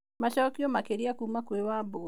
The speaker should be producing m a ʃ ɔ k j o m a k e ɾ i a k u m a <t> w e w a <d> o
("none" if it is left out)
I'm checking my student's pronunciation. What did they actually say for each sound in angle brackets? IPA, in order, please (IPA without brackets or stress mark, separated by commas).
k, b